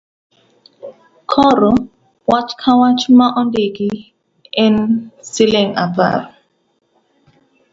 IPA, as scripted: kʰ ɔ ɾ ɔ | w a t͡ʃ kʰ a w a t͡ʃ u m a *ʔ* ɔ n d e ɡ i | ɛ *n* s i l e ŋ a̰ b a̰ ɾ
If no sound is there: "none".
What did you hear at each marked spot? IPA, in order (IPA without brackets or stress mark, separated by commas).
ʔ, n